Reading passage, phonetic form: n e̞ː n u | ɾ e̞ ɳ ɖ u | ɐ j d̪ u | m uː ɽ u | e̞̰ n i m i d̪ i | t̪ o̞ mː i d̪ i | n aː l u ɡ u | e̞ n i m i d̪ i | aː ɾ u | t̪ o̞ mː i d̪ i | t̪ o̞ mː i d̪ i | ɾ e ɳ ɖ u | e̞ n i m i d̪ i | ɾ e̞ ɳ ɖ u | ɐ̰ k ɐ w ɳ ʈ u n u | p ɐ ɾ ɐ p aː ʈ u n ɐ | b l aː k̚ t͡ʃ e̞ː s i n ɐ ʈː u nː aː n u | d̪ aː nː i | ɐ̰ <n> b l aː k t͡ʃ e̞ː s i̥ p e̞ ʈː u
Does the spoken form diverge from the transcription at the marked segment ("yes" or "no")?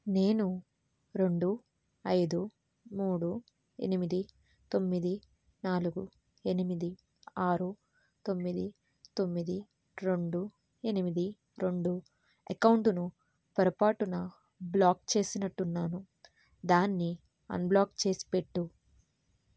no